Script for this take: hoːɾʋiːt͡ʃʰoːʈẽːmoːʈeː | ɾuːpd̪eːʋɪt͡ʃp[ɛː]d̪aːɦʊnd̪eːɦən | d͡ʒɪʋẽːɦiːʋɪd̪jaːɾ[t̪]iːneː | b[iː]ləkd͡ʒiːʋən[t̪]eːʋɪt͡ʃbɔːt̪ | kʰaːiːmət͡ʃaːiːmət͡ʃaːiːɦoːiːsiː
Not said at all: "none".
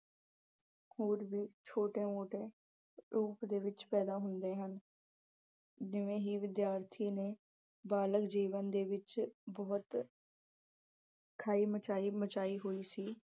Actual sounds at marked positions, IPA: ɛː, t̪ʰ, aː, d̪

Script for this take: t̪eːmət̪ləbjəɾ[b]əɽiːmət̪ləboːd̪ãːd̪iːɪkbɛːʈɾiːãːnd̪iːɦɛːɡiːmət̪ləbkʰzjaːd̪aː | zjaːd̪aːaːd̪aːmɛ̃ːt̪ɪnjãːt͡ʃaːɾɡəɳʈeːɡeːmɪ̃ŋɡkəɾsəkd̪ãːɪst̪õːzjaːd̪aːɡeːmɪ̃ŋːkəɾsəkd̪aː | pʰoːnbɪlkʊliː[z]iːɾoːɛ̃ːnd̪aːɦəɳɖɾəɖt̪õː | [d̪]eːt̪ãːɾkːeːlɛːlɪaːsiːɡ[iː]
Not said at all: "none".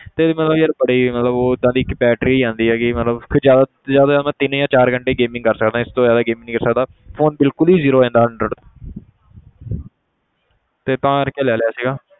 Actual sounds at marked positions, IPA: b, z, t̪, aː

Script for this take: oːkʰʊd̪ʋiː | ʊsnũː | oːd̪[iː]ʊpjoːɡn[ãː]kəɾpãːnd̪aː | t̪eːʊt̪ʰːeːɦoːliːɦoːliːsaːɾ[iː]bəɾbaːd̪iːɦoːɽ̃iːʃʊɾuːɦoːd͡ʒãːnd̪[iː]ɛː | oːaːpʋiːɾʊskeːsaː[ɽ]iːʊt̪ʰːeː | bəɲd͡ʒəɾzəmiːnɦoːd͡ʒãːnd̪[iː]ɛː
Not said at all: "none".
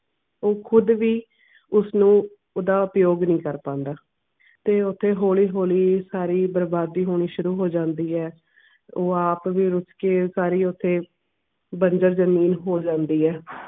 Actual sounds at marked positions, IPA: aː, ĩː, iː, iː, ɾ, iː

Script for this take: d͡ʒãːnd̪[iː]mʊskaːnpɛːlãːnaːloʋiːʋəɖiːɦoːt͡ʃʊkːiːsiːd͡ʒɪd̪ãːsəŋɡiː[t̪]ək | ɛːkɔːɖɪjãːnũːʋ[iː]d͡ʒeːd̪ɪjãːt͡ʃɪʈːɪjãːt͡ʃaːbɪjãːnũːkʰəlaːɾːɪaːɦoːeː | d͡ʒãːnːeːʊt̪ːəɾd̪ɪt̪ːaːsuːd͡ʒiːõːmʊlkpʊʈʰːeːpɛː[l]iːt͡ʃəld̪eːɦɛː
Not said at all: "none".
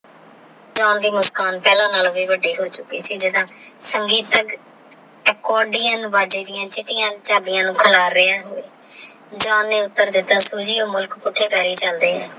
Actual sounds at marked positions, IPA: iː, t̪, aː, ɾ

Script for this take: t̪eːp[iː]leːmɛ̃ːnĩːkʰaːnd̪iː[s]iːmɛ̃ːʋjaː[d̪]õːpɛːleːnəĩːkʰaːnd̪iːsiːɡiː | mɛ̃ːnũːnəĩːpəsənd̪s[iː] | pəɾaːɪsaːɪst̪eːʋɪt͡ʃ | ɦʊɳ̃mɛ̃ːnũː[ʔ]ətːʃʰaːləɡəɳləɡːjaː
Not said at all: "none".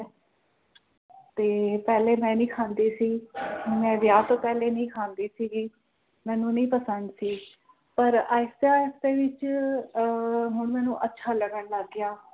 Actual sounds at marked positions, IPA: ɛː, s, t̪, iː, ʔ

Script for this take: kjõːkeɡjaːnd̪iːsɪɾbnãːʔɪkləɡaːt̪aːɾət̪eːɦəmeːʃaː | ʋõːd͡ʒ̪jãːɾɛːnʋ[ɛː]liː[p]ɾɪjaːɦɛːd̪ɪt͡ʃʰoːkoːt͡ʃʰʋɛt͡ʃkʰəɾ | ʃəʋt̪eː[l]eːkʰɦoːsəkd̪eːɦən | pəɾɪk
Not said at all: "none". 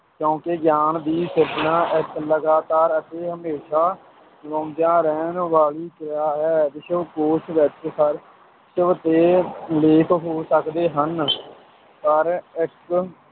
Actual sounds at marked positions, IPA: aː, k, l

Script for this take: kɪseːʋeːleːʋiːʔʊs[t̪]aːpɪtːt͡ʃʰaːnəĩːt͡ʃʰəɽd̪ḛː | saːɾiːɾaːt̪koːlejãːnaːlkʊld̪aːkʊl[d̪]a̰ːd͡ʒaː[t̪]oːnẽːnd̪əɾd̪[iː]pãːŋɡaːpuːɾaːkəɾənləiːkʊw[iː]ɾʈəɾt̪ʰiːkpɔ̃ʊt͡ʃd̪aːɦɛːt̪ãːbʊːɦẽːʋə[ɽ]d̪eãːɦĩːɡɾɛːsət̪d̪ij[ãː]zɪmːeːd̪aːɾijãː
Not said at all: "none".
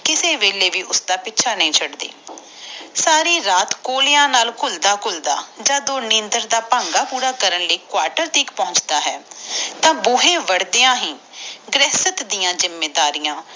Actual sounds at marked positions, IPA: d̪, d̪, d̪, aː, aː, ɽ, ãː

